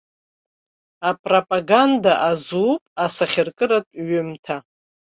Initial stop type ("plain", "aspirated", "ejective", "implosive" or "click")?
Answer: ejective